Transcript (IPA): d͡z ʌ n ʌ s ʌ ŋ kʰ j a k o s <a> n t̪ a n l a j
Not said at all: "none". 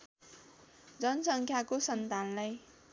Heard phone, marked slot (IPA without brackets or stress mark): ʌ